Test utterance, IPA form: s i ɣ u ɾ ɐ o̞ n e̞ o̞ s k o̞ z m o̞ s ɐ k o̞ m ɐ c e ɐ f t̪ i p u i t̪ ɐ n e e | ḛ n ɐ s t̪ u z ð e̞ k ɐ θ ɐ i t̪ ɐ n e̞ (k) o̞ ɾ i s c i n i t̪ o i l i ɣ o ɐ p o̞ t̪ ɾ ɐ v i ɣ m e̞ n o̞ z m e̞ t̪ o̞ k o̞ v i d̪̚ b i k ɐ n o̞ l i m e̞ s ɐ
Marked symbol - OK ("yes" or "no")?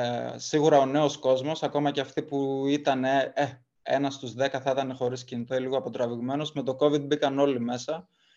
no